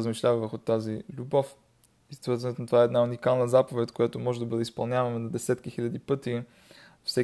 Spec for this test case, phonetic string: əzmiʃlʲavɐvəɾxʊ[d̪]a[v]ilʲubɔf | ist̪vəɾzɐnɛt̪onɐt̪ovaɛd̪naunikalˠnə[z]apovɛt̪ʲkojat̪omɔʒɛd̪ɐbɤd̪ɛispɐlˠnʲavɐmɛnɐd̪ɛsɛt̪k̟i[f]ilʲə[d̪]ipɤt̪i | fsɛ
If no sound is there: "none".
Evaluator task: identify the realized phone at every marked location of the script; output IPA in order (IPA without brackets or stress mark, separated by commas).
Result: t̪, z, z, x, d̪